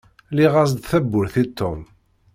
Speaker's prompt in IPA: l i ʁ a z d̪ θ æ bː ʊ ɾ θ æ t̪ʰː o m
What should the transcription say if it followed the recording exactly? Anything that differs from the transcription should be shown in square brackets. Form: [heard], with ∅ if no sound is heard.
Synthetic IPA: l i ʁ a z d̪ θ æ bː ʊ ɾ θ [i] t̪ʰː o m